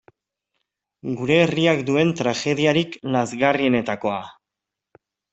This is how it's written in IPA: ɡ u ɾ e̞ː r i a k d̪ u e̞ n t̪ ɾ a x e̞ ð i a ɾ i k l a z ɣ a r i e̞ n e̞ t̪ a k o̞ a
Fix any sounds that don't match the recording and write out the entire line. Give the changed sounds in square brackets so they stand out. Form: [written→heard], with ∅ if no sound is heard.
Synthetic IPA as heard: ɡ u ɾ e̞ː r i a k d̪ u e̞ n t̪ ɾ a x e̞ ð i a ɾ i k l a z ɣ a r i e̞ n e̞ t̪ a k o̞ a